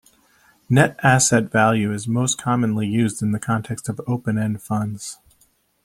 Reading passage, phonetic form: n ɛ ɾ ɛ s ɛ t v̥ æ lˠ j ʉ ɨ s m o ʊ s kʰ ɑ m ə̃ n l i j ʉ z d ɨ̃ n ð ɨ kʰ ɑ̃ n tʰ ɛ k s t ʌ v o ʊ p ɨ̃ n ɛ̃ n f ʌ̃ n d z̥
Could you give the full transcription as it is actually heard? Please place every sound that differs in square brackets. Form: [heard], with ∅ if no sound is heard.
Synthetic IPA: n ɛ ɾ [æ] s ɛ t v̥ æ lˠ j ʉ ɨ [z] m o ʊ s kʰ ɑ m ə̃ n l i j ʉ z d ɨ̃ n ð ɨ kʰ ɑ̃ n tʰ ɛ k s t ʌ v o ʊ p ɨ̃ n ɛ̃ n f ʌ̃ n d z̥